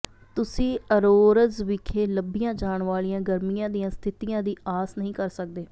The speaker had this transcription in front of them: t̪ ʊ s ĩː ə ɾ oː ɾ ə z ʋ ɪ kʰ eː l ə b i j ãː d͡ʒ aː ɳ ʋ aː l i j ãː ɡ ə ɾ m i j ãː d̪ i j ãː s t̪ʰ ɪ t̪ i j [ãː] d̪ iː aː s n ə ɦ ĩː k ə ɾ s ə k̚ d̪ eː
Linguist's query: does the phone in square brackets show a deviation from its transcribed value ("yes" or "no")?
no